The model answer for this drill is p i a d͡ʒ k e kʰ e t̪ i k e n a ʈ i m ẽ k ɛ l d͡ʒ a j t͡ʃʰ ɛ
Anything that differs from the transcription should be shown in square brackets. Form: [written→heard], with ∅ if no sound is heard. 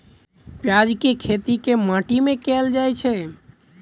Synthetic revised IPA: p [i→j] a d͡ʒ k e kʰ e t̪ i k e [n→m] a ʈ i m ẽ k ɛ l d͡ʒ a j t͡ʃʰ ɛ